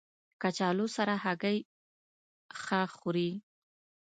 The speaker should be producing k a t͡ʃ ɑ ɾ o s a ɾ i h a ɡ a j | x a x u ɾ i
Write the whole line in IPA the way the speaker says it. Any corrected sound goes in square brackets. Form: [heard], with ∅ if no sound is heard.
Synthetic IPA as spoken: k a t͡ʃ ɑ [l] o s a ɾ [a] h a ɡ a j | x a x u ɾ i